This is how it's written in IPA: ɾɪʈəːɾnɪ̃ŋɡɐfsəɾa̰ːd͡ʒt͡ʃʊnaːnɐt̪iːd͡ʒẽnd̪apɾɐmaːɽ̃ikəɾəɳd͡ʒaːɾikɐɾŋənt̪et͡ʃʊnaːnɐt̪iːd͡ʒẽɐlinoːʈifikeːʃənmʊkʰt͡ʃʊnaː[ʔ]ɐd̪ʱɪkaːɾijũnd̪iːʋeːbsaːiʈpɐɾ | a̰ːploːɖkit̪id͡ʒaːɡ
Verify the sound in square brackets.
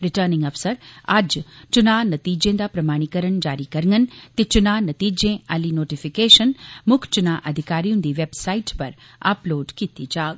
correct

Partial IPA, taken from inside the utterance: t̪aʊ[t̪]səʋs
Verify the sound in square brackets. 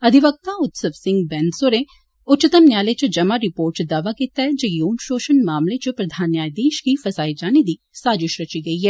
correct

